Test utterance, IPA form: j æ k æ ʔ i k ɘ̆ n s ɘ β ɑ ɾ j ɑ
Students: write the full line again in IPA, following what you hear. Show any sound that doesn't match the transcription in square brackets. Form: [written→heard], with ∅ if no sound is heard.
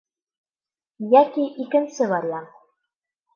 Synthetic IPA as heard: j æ k [æ→i] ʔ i k ɘ̆ n s ɘ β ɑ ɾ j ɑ